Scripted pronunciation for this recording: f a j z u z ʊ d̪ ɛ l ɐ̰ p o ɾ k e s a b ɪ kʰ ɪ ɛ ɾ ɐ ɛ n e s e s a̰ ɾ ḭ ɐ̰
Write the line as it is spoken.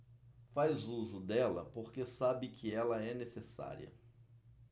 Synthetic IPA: f a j z u z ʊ d̪ ɛ l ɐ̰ p o ɾ k e s a b ɪ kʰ ɪ ɛ l ɐ ɛ n e s e s a̰ ɾ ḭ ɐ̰